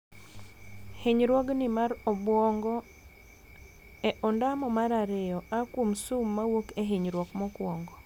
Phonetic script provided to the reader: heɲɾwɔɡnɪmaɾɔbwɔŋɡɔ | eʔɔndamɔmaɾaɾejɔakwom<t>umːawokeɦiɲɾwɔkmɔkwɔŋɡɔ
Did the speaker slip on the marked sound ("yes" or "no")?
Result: yes